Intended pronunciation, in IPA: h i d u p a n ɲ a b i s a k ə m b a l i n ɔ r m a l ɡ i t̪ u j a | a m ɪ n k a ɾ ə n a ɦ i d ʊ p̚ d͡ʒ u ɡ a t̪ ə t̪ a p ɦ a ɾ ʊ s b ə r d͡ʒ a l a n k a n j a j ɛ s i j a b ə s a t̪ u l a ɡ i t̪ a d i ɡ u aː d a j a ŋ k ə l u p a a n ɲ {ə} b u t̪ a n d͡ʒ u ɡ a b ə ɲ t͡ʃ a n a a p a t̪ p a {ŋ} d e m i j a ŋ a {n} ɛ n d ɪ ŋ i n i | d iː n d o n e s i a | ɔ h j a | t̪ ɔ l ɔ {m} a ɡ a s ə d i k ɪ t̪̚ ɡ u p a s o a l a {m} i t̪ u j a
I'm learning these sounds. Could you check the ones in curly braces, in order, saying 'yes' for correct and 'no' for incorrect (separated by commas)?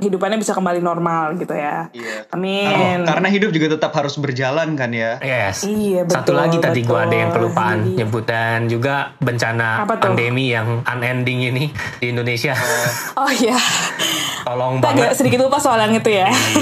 yes, no, yes, no, no